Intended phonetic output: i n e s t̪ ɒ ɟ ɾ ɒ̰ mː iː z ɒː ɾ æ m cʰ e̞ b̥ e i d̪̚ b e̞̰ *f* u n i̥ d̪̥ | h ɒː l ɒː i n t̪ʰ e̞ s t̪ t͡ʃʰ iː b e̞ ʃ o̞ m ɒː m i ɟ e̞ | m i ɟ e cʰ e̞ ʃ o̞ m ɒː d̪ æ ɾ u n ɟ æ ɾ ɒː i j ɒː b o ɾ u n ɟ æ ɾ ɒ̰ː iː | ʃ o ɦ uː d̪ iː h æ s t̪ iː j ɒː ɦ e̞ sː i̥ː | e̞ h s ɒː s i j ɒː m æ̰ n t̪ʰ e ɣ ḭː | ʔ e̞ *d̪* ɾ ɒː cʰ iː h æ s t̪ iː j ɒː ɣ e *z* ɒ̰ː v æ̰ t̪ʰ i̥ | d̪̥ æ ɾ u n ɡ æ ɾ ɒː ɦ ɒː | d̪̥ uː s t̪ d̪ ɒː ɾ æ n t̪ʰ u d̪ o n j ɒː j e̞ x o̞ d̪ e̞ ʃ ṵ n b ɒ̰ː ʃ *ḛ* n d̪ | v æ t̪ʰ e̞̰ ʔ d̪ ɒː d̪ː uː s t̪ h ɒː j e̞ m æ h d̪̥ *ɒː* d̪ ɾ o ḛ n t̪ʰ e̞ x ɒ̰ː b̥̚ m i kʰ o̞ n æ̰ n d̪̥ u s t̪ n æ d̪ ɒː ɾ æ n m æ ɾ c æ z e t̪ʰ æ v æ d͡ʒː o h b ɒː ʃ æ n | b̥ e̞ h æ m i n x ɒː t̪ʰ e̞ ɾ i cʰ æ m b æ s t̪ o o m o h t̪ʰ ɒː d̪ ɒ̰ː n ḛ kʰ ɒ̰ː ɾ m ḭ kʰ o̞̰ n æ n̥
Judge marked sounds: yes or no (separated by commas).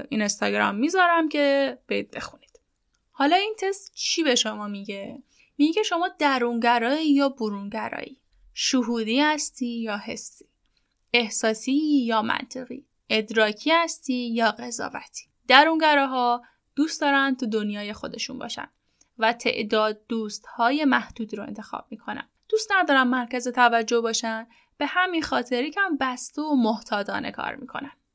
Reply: no, yes, yes, no, no